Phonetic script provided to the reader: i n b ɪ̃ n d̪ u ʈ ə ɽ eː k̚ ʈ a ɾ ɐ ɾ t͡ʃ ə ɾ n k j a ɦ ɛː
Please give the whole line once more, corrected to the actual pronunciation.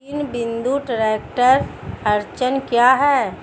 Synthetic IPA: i n b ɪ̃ n d̪ u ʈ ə ɾ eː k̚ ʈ ə ɾ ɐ ɾ t͡ʃ ə n k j a ɦ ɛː